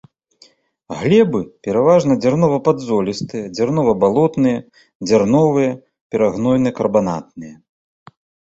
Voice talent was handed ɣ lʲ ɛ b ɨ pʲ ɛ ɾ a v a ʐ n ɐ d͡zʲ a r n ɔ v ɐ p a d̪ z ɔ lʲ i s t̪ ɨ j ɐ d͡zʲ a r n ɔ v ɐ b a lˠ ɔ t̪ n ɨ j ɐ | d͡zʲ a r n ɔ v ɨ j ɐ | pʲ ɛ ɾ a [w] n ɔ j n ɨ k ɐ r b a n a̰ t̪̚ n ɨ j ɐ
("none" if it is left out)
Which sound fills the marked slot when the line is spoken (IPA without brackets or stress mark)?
ɣ